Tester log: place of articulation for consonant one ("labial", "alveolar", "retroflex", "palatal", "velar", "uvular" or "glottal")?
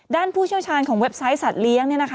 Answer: alveolar